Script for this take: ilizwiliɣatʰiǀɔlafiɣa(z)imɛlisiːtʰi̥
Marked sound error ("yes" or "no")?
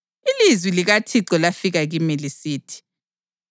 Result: yes